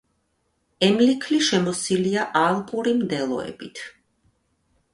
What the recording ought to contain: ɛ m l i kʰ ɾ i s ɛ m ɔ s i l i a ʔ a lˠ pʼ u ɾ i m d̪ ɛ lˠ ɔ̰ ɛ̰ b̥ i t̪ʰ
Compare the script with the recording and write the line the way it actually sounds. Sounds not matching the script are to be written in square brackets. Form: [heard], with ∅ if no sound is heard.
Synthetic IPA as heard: ɛ m l i kʰ [l] i [ʃ] ɛ m ɔ s i l i a ʔ a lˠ pʼ u ɾ i m d̪ ɛ lˠ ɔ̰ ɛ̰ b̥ i t̪ʰ